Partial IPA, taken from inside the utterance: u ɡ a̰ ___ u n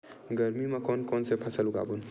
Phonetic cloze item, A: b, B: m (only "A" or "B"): A